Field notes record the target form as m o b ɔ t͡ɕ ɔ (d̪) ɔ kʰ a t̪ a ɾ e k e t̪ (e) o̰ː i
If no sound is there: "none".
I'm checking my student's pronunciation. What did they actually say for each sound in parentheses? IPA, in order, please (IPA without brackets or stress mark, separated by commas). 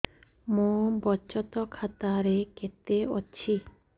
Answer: t̪, e